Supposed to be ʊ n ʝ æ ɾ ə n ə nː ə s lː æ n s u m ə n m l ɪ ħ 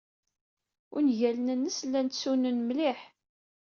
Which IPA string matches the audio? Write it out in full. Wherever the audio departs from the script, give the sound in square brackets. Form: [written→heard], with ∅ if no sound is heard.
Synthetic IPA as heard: ʊ n ʝ æ [ɾ→l] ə n ə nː ə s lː æ n s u [m→n] ə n m l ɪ ħ